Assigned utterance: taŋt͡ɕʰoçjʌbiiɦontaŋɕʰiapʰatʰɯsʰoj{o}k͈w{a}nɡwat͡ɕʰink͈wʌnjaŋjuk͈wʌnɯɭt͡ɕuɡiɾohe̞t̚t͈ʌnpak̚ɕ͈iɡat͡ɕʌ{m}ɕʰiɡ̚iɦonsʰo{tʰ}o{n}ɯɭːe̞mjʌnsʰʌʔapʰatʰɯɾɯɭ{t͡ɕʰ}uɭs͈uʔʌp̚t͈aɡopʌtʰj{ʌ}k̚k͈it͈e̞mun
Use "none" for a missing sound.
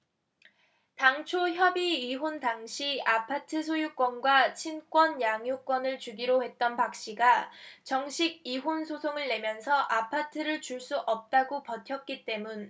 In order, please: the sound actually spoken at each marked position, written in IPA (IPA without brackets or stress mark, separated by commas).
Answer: u, ʌ, ŋ, sʰ, ŋ, t͡ɕ, ʌ